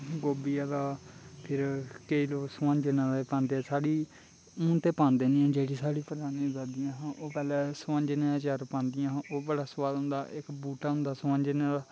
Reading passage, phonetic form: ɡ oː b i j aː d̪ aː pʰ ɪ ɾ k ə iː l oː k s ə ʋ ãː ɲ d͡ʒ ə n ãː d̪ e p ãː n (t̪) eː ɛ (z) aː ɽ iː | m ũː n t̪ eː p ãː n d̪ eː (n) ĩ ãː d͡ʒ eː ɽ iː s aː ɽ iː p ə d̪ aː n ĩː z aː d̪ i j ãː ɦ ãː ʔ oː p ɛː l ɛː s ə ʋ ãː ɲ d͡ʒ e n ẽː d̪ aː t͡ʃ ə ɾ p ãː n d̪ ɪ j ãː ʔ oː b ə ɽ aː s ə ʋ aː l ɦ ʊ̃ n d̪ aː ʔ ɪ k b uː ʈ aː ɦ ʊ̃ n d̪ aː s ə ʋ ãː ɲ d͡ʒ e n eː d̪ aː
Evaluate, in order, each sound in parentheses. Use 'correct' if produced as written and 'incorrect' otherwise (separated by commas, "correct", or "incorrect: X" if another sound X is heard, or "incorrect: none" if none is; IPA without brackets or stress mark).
incorrect: d̪, incorrect: s, correct